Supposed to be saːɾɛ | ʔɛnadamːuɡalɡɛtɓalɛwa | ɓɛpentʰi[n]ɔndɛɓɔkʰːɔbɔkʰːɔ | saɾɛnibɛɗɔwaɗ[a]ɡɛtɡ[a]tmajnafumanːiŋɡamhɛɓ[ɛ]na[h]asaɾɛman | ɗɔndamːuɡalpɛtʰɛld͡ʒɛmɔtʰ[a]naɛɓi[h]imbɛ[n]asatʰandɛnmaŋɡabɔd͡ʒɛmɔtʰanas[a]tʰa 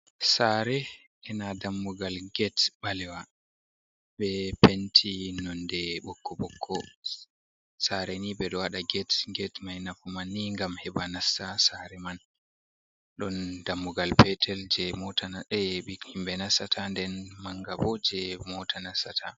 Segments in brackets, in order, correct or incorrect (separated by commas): correct, correct, incorrect, incorrect, incorrect, correct, correct, correct, correct